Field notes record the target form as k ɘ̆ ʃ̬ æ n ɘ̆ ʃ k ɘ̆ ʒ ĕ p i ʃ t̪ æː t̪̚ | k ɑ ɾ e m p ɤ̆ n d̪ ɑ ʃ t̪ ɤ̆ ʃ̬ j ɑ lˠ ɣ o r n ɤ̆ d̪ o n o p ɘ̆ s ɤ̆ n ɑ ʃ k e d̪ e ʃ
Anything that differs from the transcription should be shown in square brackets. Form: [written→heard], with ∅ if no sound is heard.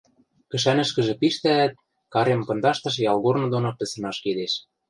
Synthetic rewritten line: k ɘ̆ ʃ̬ æ n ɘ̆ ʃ k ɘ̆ ʒ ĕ p i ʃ t̪ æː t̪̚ | k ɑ ɾ e m p ɤ̆ n d̪ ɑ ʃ t̪ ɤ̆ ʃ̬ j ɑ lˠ ɣ o r n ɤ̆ d̪ o n o p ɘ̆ s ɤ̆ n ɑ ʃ k e d̪ e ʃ